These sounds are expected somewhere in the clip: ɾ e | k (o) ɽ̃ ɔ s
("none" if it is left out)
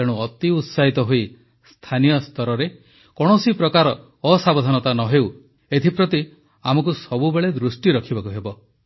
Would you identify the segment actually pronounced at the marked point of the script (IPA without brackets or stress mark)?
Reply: ɔ